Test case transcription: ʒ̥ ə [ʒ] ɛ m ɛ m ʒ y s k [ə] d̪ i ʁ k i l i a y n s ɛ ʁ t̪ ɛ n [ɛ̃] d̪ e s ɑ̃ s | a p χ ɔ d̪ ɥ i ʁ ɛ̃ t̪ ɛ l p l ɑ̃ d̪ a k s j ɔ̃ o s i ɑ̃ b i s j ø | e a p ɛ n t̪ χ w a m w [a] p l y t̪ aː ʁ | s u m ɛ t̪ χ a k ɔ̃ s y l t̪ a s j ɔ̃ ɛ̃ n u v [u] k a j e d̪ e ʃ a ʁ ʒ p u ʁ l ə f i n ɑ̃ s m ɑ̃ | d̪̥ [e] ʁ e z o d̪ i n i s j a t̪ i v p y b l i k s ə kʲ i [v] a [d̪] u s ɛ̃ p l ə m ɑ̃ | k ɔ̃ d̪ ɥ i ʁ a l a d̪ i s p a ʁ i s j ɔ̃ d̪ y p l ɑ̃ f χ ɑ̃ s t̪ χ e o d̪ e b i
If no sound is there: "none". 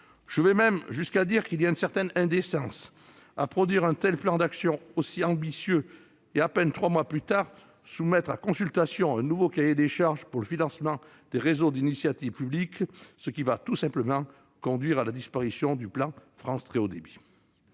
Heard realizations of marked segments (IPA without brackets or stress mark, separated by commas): v, a, ɛ̃, a, o, e, v, t̪